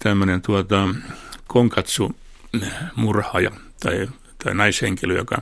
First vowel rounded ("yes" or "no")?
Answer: no